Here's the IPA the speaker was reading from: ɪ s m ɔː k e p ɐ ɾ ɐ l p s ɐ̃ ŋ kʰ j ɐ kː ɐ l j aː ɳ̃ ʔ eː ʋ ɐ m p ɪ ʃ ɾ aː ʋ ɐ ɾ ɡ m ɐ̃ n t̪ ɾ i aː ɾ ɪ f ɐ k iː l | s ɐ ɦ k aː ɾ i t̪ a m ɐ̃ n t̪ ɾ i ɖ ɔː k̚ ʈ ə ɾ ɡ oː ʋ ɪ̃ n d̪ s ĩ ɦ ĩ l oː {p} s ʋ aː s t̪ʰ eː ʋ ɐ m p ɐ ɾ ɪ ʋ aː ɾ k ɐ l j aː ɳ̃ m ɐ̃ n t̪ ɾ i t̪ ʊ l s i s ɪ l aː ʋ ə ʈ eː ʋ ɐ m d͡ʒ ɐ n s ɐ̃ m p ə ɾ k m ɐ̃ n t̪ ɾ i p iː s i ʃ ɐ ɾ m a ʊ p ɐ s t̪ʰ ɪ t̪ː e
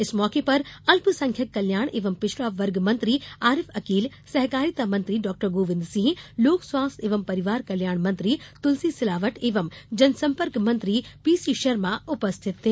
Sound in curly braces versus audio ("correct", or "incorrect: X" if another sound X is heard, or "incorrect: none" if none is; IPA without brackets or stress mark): incorrect: k